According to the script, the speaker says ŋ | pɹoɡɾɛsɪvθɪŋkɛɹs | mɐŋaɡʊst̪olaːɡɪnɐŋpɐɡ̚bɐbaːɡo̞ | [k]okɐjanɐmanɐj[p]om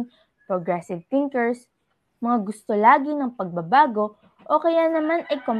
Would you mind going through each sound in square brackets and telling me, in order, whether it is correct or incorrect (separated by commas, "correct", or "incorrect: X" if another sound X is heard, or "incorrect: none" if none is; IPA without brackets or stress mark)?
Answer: incorrect: ʔ, incorrect: k